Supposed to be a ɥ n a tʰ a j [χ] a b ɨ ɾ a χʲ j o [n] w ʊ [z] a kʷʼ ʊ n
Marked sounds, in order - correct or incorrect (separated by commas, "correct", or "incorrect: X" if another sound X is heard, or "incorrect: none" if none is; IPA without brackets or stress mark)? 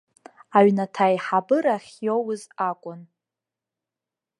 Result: incorrect: ħ, incorrect: none, correct